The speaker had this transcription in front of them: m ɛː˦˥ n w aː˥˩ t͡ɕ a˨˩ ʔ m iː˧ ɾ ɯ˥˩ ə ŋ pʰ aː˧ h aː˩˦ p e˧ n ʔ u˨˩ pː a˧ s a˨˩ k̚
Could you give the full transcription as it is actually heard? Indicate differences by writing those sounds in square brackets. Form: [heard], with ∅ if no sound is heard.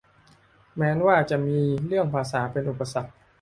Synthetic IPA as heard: m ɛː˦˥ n w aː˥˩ t͡ɕ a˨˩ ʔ m iː˧ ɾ ɯ˥˩ ə ŋ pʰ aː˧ [s] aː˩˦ p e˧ n ʔ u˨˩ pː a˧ s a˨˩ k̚